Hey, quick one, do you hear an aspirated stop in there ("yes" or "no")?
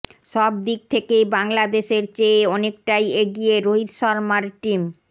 yes